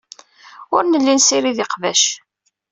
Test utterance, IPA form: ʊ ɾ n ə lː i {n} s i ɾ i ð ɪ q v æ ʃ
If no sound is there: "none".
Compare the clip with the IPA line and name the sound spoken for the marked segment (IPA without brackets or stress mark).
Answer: n